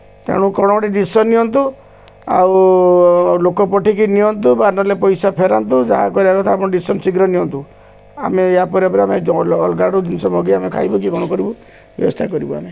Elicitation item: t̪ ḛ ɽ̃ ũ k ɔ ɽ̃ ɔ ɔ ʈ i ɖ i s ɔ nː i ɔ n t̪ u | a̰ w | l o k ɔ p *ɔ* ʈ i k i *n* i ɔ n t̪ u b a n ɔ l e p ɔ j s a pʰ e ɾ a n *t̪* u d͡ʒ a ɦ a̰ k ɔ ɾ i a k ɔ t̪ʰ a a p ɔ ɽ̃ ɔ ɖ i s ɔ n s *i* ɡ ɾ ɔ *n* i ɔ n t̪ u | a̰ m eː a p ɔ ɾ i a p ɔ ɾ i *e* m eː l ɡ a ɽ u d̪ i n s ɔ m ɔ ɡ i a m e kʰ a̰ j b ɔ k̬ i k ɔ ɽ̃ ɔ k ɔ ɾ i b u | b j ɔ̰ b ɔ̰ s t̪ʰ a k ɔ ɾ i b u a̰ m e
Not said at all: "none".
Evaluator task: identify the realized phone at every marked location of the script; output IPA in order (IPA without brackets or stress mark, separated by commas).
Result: ɔ, n, t̪, i, n, a